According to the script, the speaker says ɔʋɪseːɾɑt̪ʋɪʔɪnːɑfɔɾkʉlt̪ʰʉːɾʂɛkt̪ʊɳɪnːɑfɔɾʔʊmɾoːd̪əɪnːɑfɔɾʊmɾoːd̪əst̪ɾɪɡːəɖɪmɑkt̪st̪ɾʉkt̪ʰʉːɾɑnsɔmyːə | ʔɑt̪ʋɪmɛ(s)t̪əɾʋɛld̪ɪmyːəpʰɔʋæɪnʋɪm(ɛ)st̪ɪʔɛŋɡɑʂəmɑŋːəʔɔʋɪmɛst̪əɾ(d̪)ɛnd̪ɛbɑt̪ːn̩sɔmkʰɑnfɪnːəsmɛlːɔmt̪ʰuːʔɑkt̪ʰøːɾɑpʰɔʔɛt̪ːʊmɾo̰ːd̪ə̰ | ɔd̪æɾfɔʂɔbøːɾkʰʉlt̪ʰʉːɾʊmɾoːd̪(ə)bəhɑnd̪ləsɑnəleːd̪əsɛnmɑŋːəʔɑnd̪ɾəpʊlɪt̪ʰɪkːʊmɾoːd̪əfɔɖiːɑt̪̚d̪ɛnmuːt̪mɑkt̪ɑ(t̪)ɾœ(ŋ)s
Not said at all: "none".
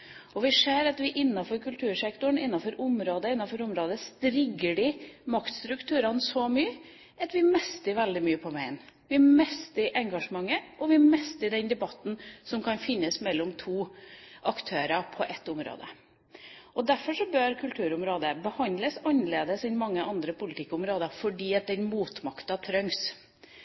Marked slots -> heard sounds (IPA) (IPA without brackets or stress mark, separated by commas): s, ɛ, d̪, ə, t̪ʰ, ŋ